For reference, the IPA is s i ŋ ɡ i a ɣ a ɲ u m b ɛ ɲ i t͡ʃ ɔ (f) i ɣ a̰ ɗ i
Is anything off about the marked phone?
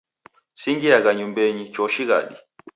yes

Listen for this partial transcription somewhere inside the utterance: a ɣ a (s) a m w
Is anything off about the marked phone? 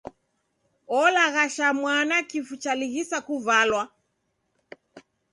yes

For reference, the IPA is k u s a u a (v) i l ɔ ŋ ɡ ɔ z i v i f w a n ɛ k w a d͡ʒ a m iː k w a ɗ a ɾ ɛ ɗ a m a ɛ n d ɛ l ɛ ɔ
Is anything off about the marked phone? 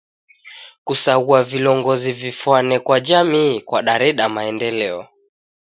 no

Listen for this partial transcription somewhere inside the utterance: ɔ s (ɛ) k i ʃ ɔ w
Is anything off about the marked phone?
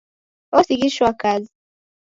yes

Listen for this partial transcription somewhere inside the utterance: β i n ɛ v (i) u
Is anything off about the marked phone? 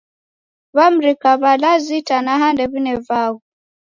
yes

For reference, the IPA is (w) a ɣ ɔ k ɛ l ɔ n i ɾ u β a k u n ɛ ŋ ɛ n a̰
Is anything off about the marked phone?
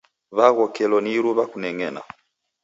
yes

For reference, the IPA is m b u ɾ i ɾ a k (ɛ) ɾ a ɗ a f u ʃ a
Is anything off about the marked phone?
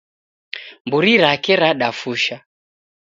no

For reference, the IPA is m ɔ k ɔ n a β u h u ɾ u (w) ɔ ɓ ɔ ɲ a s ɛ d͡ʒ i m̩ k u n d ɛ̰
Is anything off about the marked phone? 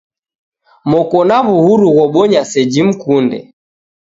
yes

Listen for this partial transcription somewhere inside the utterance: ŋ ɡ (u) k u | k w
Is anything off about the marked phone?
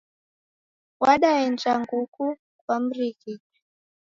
no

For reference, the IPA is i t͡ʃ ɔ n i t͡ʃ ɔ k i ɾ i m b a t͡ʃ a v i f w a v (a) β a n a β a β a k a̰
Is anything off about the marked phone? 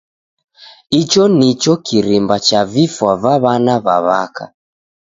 no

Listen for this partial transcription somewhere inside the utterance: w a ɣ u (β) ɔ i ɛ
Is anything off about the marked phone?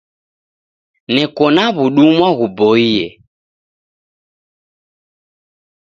yes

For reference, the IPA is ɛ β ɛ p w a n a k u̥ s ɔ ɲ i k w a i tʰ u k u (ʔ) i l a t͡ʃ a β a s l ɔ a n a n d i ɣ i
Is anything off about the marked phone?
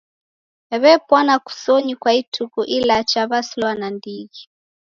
no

